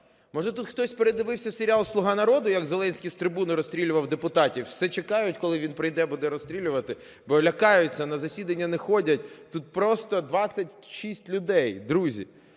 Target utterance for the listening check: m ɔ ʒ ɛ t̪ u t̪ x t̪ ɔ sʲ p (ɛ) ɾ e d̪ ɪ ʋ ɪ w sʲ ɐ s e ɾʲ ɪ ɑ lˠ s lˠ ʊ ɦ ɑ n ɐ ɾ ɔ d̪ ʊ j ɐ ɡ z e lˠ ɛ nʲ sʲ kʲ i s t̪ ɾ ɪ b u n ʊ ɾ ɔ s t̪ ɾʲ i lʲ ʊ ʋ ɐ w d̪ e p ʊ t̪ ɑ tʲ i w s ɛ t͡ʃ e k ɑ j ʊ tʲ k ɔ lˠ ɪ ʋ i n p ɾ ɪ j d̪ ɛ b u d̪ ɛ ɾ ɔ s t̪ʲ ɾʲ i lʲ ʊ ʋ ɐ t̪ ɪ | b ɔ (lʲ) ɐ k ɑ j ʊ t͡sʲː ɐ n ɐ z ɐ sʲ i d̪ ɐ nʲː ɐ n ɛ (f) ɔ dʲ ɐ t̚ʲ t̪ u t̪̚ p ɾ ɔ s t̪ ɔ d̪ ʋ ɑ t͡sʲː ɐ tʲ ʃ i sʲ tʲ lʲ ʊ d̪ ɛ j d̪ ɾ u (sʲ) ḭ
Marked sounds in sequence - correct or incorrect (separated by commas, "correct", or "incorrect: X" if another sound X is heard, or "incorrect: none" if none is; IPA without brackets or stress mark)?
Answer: incorrect: e, correct, incorrect: x, incorrect: zʲ